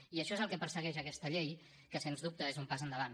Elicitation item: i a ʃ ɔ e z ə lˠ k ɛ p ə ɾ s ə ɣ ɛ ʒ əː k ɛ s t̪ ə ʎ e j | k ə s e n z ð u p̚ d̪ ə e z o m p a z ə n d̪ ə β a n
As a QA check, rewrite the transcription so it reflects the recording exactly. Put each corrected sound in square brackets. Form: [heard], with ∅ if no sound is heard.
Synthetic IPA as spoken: i [ə] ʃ ɔ e z ə lˠ k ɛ p ə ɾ s ə ɣ ɛ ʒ [ə] k ɛ s t̪ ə ʎ e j | k ə s e n z ð u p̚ [t̪] ə e z [u] m p a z ə n d̪ ə β a n